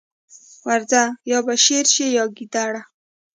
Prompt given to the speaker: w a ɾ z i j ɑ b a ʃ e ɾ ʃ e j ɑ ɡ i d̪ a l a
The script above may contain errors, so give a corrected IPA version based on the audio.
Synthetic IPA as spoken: w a ɾ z a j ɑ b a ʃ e ɾ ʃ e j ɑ ɡ i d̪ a ɽ a